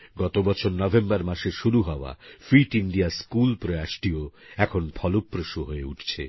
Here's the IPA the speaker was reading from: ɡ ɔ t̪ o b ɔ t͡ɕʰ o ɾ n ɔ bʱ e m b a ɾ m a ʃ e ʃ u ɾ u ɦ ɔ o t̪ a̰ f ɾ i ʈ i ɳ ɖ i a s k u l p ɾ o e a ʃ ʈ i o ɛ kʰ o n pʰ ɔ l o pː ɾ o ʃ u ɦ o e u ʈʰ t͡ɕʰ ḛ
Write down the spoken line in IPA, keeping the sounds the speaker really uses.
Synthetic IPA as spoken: ɡ ɔ t̪ o b ɔ t͡ɕʰ o ɾ n ɔ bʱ e m b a ɾ m a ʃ e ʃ u ɾ u ɦ ɔ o a̰ f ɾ i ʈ i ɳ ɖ i a s k u l p ɾ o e a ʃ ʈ i o ɛ kʰ o n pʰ ɔ l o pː ɾ o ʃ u ɦ o e u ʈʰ t͡ɕʰ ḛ